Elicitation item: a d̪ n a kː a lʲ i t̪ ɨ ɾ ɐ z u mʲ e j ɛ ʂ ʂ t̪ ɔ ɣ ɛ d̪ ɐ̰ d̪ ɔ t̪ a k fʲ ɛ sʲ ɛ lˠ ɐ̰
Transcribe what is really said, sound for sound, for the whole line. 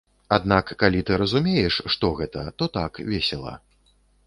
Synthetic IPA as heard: a d̪ n a kː a lʲ i t̪ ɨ ɾ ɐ z u mʲ e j ɛ ʂ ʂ t̪ ɔ ɣ ɛ t̪ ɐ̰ t̪ ɔ t̪ a k vʲ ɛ sʲ ɛ lˠ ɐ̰